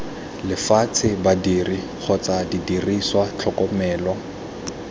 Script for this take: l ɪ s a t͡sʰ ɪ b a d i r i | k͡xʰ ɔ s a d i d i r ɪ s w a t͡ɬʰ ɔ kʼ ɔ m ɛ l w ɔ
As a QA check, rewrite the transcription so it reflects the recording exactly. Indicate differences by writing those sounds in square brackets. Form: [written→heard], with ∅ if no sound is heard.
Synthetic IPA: l ɪ [s→f] a t͡sʰ ɪ b a d i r i | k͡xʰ ɔ [s→t͡s] a d i d i r [ɪ→i] s w a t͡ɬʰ ɔ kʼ ɔ m [ɛ→ɛː] l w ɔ